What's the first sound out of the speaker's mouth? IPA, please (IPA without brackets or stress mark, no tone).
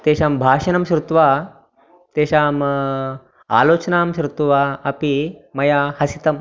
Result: t̪